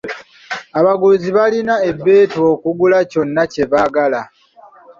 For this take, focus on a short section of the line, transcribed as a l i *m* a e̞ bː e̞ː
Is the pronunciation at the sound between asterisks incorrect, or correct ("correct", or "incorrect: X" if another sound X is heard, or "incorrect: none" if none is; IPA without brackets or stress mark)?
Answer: incorrect: n